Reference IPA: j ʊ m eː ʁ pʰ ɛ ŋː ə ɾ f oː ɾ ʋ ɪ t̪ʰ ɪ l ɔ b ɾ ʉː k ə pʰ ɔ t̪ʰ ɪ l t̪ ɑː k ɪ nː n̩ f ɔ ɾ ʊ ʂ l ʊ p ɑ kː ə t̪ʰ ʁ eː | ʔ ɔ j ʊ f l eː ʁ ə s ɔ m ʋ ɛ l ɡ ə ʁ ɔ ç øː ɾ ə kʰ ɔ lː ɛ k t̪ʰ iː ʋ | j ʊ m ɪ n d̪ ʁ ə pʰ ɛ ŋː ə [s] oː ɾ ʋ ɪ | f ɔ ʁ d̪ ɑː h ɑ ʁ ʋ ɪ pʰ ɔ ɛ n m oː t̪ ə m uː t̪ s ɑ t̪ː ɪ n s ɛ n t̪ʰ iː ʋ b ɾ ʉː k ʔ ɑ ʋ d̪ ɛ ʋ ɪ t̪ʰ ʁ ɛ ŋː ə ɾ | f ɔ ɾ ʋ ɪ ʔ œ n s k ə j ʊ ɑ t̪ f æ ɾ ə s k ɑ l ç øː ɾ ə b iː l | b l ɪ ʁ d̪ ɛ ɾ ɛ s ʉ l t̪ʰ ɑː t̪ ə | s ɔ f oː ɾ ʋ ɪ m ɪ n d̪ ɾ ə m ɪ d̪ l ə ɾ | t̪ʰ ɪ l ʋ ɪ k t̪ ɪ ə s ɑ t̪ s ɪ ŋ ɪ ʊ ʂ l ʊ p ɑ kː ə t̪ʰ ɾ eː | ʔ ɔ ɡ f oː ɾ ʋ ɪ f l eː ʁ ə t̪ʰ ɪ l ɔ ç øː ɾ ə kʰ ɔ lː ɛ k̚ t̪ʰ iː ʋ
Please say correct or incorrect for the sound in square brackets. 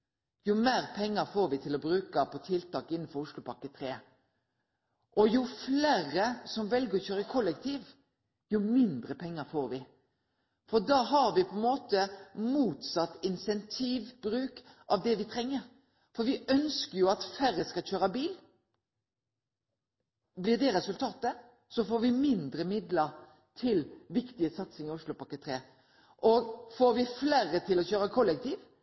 incorrect